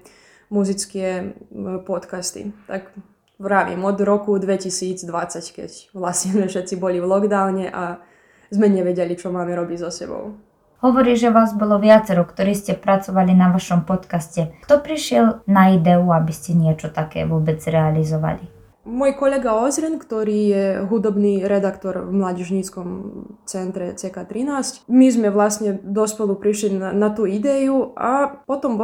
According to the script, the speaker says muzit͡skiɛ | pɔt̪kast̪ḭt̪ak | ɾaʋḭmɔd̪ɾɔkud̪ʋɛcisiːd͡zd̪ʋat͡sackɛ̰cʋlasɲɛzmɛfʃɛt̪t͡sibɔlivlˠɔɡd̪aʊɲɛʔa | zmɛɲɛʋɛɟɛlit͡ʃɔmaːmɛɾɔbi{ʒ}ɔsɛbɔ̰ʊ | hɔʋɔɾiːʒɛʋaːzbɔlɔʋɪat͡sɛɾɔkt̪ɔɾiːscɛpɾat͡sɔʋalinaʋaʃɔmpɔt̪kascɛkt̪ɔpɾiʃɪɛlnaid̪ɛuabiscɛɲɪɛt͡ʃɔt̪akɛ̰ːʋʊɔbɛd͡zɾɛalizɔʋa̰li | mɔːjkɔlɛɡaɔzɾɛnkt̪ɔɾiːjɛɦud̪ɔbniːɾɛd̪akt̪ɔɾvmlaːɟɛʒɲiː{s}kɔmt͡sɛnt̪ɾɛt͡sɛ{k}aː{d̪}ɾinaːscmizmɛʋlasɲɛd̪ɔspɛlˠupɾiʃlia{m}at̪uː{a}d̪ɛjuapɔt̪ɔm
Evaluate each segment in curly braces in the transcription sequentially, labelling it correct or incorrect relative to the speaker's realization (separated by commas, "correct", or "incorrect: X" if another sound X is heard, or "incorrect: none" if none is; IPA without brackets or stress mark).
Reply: incorrect: z, incorrect: t͡s, correct, incorrect: t̪, incorrect: n, incorrect: i